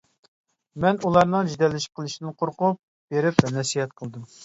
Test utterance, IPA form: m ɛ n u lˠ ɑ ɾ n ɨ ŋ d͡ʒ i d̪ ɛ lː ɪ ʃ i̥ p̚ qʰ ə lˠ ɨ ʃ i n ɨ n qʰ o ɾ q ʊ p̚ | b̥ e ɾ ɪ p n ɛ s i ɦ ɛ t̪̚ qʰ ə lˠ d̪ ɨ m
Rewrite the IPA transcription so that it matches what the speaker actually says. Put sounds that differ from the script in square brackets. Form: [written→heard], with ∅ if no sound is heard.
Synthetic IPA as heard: m ɛ n u lˠ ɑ ɾ n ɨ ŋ d͡ʒ i d̪ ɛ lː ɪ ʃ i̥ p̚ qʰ ə lˠ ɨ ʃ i n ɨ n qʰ o ɾ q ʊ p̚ | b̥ e ɾ ɪ p n ɛ s i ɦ ɛ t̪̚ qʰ ə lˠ d̪ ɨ m